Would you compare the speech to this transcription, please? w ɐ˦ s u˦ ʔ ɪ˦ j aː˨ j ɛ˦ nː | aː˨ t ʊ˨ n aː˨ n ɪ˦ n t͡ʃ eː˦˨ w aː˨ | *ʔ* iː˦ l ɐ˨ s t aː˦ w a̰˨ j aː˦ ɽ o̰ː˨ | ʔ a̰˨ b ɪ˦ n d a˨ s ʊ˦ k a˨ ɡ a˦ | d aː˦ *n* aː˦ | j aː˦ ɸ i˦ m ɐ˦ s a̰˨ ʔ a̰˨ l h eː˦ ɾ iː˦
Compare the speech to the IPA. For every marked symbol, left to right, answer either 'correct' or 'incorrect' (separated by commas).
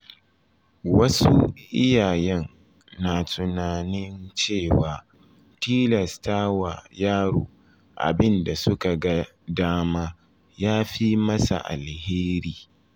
incorrect, incorrect